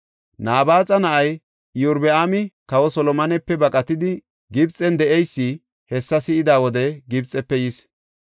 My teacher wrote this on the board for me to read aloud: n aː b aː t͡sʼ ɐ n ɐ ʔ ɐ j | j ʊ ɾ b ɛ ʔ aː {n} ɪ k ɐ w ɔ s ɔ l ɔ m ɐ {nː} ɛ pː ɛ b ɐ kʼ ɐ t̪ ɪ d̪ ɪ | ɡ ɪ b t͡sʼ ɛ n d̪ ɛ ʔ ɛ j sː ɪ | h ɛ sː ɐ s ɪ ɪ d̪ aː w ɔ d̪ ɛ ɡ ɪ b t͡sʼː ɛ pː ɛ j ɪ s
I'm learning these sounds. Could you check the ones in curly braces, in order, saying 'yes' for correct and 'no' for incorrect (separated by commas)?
no, no